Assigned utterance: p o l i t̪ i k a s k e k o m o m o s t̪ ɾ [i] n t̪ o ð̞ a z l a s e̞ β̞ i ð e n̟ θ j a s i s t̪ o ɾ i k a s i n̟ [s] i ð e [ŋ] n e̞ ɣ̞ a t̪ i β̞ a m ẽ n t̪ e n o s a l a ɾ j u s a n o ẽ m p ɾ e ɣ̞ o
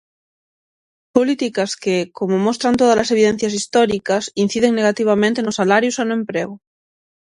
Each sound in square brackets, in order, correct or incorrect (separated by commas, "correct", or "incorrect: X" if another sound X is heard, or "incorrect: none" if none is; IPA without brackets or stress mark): incorrect: a, incorrect: θ, correct